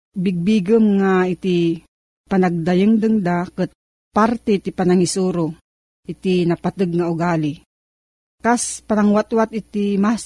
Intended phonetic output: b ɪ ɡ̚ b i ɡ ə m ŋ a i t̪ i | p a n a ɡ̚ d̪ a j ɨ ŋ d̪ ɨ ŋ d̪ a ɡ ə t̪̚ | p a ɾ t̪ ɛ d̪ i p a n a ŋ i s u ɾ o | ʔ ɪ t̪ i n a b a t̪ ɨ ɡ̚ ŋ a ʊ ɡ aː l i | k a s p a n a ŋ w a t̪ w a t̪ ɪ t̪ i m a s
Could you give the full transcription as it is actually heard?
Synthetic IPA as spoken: b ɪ ɡ̚ b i ɡ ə m ŋ a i t̪ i | p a n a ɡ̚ d̪ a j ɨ ŋ d̪ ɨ ŋ d̪ a k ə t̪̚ | p a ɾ t̪ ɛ t̪ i p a n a ŋ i s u ɾ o | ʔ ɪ t̪ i n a p a t̪ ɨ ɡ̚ ŋ a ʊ ɡ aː l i | k a s p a n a ŋ w a t̪ w a t̪ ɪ t̪ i m a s